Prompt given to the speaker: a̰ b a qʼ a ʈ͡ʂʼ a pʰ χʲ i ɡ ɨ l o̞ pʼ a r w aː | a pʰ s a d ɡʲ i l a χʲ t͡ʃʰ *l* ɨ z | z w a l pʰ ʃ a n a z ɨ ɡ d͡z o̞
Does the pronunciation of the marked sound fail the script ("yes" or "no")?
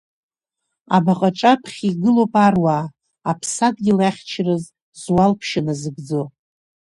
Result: yes